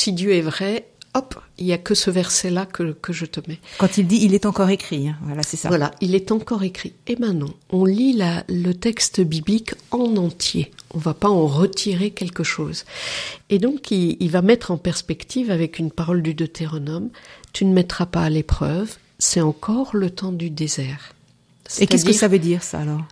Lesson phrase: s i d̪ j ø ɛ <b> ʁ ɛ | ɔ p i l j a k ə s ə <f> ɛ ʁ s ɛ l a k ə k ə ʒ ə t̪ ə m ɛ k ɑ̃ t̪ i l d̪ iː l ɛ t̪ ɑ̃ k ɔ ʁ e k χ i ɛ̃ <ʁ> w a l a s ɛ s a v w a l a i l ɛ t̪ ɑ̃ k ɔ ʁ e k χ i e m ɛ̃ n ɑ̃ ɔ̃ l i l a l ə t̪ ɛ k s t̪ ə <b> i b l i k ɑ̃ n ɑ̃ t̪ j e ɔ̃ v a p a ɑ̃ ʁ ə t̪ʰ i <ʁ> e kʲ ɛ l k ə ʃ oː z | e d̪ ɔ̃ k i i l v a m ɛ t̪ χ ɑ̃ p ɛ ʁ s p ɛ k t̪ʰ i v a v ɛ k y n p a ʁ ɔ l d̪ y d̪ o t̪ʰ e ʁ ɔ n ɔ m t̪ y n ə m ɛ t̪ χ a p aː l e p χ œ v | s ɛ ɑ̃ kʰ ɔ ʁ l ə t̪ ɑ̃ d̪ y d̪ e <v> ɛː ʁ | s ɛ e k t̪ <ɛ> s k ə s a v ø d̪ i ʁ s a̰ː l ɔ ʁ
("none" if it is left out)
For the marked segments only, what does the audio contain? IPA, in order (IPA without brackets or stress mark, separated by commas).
v, v, v, b, ʁ, z, ɛ